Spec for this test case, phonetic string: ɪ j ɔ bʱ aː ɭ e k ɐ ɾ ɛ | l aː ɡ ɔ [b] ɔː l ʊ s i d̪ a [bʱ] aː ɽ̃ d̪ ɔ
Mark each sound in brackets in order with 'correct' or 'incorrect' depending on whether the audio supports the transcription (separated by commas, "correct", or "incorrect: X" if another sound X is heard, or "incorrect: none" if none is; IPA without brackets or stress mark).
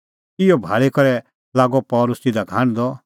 incorrect: p, incorrect: ɡʱ